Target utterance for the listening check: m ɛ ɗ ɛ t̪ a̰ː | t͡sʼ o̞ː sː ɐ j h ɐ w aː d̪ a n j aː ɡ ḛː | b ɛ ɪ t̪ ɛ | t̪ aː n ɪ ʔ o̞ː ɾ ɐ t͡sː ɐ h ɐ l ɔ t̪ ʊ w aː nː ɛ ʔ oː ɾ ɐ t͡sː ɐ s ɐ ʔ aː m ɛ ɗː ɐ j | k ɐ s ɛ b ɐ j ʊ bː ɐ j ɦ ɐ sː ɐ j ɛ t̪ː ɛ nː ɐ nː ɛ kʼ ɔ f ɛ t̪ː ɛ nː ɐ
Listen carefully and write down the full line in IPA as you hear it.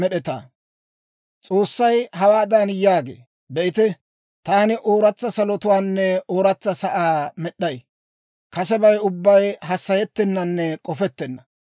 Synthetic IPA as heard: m ɛ ɗ ɛ t̪ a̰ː | t͡sʼ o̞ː sː ɐ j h ɐ w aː d̪ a n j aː ɡ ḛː | b ɛ ɪ t̪ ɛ | t̪ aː n ɪ ʔ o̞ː ɾ ɐ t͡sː ɐ s ɐ l ɔ t̪ ʊ w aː nː ɛ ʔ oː ɾ ɐ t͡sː ɐ s ɐ ʔ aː m ɛ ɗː ɐ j | k ɐ s ɛ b ɐ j ʊ bː ɐ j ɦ ɐ sː ɐ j ɛ t̪ː ɛ nː ɐ nː ɛ kʼ ɔ f ɛ t̪ː ɛ nː ɐ